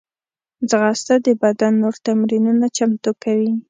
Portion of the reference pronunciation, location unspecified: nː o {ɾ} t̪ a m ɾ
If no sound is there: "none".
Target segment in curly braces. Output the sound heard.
ɾ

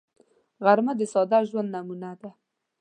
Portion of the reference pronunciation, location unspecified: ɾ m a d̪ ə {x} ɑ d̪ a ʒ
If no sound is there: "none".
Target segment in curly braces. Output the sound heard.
s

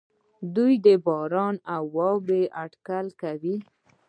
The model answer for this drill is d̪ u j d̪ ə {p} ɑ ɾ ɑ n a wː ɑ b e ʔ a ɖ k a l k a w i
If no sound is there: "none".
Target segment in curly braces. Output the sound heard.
b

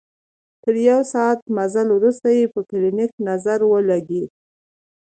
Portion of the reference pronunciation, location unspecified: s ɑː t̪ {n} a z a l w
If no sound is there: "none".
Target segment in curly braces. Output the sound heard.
m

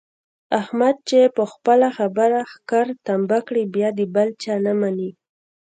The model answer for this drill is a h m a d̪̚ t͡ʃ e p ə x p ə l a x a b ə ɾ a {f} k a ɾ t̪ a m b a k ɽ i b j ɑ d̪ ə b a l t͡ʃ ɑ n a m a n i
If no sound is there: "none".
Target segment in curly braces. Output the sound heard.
x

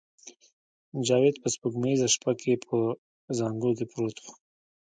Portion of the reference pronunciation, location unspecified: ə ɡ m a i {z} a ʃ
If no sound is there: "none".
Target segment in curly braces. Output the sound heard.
z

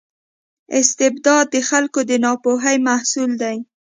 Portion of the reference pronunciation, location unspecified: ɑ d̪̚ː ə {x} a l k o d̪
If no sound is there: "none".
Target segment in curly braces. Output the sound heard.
x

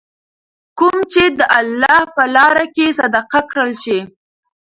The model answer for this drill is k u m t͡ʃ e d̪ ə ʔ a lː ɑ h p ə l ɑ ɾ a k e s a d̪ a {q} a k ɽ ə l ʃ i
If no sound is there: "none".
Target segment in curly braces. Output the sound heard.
q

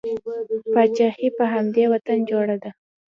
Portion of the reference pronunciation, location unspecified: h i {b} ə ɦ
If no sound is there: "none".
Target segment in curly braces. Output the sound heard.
p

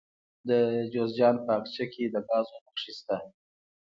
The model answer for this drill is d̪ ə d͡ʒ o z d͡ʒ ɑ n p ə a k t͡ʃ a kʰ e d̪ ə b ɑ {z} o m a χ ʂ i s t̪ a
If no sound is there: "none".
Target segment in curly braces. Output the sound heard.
z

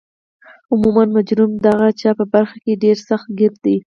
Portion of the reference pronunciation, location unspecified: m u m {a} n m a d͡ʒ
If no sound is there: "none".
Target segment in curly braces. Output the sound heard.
a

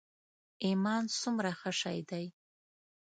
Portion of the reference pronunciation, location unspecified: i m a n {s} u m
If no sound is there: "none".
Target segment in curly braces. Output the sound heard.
s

